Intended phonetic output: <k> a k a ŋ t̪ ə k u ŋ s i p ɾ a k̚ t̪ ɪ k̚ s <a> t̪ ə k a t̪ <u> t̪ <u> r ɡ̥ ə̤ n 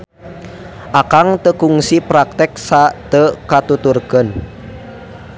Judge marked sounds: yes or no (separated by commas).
no, yes, yes, yes